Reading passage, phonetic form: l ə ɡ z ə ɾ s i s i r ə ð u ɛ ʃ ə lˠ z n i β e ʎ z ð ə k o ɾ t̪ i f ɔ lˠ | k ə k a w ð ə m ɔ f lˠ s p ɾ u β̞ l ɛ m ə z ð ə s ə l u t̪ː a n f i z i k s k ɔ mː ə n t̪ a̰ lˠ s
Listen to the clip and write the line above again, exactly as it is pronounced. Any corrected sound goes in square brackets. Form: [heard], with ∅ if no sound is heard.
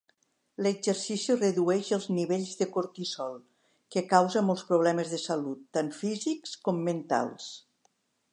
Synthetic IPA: l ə ɡ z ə ɾ s i s i r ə ð u ɛ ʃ ə lˠ z n i β e ʎ z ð ə k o ɾ t̪ i [s] ɔ lˠ | k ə k a w [z] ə m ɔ [∅] lˠ s p ɾ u β̞ l ɛ m ə z ð ə s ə l u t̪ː a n f i z i k s k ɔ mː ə n t̪ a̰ lˠ s